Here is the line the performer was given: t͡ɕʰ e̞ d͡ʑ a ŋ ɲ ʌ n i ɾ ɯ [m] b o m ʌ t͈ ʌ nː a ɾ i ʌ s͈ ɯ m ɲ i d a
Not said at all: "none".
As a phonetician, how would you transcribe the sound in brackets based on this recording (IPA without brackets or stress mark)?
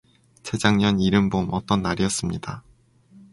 m